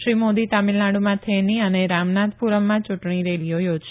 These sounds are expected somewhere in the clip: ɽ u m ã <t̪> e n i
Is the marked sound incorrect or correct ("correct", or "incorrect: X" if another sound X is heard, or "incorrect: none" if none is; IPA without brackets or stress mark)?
incorrect: t̪ʰ